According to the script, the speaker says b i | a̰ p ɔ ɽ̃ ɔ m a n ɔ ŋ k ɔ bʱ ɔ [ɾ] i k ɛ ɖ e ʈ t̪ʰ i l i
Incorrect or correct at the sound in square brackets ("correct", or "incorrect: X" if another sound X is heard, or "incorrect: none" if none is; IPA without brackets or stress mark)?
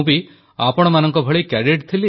incorrect: ɭ